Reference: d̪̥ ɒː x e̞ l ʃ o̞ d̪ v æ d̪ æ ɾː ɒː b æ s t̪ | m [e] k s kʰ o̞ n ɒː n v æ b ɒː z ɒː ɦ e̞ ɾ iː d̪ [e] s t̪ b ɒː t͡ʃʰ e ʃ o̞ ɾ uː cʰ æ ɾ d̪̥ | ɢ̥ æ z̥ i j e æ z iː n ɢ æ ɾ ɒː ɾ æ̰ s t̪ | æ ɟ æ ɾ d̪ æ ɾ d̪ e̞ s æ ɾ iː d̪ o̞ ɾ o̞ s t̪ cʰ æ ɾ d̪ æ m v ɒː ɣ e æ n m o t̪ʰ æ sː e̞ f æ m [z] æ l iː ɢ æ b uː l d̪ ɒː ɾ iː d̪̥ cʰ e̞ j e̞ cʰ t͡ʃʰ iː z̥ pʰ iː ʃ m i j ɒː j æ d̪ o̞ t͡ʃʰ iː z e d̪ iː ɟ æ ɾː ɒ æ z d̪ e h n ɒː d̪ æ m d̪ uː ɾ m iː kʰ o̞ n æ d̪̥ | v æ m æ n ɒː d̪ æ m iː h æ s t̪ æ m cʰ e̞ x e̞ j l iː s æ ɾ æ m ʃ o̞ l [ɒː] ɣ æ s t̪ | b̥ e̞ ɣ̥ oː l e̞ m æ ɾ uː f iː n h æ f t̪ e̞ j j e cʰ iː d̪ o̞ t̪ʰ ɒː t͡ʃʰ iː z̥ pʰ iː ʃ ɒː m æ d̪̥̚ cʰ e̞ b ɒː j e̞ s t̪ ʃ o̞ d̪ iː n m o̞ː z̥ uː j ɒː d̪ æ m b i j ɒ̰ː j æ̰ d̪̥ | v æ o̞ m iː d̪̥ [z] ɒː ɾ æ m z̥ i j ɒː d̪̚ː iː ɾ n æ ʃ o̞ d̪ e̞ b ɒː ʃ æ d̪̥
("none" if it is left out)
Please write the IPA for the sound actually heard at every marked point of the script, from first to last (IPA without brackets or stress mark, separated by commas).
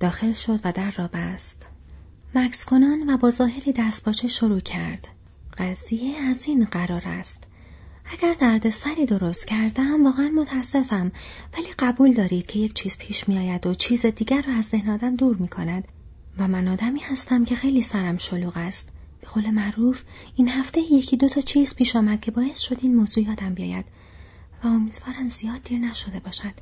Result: æ, æ, v, uː, v